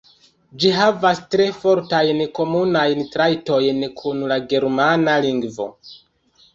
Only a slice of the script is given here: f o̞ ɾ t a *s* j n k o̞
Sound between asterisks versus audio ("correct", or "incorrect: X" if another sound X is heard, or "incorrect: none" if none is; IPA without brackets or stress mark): incorrect: none